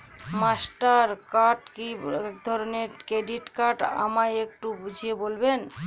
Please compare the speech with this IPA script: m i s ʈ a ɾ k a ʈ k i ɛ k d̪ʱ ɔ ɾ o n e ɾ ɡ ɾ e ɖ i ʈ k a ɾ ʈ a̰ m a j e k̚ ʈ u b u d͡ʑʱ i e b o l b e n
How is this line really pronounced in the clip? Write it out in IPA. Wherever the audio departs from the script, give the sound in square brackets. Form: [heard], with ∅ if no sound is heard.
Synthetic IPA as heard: m [a] s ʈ a ɾ k a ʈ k i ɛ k d̪ʱ ɔ ɾ o n e ɾ [k] ɾ e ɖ i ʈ k a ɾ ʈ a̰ m a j e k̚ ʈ u b u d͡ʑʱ i e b o l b e n